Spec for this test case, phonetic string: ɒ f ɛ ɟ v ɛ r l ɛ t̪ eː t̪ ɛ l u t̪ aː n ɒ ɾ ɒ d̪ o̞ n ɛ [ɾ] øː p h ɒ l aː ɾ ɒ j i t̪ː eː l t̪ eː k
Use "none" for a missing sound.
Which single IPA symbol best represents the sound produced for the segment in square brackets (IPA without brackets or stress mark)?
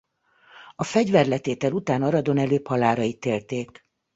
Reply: l